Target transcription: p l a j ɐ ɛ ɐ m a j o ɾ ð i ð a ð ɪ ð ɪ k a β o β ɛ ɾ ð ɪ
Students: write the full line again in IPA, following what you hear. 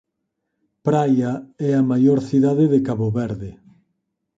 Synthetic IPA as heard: p ɾ a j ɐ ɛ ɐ m a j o ɾ θ i ð a ð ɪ ð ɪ k a β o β ɛ ɾ ð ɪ

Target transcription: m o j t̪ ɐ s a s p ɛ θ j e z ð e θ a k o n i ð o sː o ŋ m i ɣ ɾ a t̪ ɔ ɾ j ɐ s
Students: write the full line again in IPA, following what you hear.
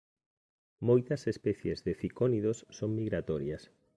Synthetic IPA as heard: m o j t̪ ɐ s e s p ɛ θ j e z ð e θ i k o n i ð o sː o ŋ m i ɣ ɾ a t̪ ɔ ɾ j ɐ s

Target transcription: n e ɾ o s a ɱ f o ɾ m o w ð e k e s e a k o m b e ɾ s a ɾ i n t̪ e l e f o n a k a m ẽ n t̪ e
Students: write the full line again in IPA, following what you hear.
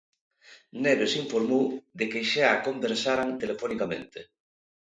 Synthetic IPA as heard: n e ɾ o s i ɱ f o ɾ m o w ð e k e ʃ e a k o m b e ɾ s a ɾ a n t̪ e l e f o n i k a m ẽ n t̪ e

